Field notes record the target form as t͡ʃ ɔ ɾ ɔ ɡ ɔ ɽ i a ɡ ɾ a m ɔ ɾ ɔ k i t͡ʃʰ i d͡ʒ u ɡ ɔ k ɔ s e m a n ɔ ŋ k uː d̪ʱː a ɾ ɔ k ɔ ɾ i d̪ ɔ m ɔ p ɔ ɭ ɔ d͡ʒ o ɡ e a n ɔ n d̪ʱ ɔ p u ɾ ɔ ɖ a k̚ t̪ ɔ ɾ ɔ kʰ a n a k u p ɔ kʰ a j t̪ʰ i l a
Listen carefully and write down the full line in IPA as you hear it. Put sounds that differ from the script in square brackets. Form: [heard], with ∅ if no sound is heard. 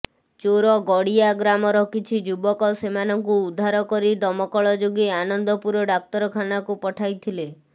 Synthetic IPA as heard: t͡ʃ [o] ɾ ɔ ɡ ɔ ɽ i a ɡ ɾ a m ɔ ɾ ɔ k i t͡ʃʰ i d͡ʒ u [b] ɔ k ɔ s e m a n ɔ ŋ k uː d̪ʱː a ɾ ɔ k ɔ ɾ i d̪ ɔ m ɔ [k] ɔ ɭ ɔ d͡ʒ o ɡ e a n ɔ n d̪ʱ ɔ p u ɾ ɔ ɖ a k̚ t̪ ɔ ɾ ɔ kʰ a n a k u p ɔ [ʈʰ] a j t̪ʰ i l [e]

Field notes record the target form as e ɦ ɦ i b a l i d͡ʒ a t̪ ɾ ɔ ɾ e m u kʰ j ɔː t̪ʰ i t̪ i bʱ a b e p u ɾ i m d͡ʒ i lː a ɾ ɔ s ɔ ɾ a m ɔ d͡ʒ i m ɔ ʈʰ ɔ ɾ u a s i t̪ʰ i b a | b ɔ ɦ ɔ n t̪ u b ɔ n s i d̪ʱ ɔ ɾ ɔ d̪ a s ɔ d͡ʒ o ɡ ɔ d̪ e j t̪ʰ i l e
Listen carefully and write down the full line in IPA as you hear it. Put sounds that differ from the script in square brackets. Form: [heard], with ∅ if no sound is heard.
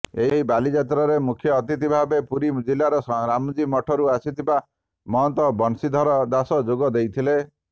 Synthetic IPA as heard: e ɦ ɦ i b a l i d͡ʒ a t̪ ɾ ɔ ɾ e m u kʰ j ɔː [t̪] i t̪ i bʱ a b e p u ɾ i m d͡ʒ i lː a ɾ ɔ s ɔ ɾ a m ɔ d͡ʒ i m ɔ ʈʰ ɔ ɾ u a s i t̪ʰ i b a | [m] ɔ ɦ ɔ n t̪ [ɔ] b ɔ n s i d̪ʱ ɔ ɾ ɔ d̪ a s ɔ d͡ʒ o ɡ ɔ d̪ e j t̪ʰ i l e

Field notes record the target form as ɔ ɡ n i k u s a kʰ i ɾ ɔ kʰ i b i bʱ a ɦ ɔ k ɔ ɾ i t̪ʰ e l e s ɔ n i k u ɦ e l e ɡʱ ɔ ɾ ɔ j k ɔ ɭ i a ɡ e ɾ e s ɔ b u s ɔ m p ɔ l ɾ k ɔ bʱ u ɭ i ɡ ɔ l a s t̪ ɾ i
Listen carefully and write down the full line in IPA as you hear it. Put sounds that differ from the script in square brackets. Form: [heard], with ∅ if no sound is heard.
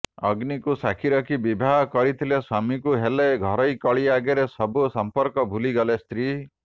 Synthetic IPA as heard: ɔ ɡ n i k u s a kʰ i ɾ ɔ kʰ i b i bʱ a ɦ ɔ k ɔ ɾ i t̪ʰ [i] l e s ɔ [m] i k u ɦ e l e ɡʱ ɔ ɾ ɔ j k ɔ ɭ i a ɡ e ɾ e s ɔ b u s ɔ m p ɔ [∅] ɾ k ɔ bʱ u [l] i ɡ ɔ l [e] s t̪ ɾ i

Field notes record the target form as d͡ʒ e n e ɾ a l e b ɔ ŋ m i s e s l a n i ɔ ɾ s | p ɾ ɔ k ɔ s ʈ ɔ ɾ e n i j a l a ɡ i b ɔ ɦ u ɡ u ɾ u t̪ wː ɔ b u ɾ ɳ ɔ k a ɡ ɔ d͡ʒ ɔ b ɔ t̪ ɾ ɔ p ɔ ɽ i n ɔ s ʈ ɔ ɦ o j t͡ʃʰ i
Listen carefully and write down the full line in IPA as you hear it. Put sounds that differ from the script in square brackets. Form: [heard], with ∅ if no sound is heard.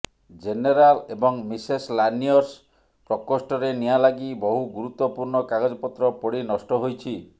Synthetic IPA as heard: d͡ʒ e n e ɾ a l e b ɔ ŋ m i s e s l a n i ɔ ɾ s | p ɾ ɔ k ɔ s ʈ ɔ ɾ e n i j a l a ɡ i b ɔ ɦ u ɡ u ɾ u t̪ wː ɔ [p] u ɾ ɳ ɔ k a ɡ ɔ d͡ʒ ɔ [p] ɔ t̪ ɾ ɔ p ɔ ɽ i n ɔ s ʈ ɔ ɦ o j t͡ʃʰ i

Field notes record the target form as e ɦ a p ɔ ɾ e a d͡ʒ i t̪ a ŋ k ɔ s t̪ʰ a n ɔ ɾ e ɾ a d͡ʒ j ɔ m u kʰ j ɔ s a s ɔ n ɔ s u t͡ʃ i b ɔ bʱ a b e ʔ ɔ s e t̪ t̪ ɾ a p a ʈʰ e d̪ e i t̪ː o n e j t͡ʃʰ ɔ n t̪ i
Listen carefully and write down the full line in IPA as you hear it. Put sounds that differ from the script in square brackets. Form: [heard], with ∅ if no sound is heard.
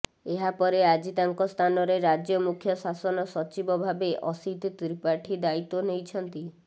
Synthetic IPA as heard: e ɦ a p ɔ ɾ e a d͡ʒ i t̪ a ŋ k ɔ s t̪ʰ a n ɔ ɾ e ɾ a d͡ʒ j ɔ m u kʰ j ɔ s a s ɔ n ɔ s [ɔ] t͡ʃ i b ɔ bʱ a b e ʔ ɔ s [i] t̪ t̪ ɾ [i] p a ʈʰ [i] d̪ [a] i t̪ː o n e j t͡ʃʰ ɔ n t̪ i

